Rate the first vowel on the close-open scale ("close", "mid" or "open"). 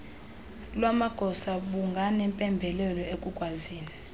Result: open